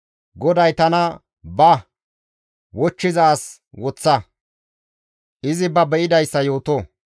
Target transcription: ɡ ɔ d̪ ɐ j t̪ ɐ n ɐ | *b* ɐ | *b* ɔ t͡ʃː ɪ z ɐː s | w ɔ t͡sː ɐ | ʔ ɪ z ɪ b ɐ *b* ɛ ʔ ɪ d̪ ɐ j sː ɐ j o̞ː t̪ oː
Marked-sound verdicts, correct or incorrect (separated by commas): correct, incorrect, correct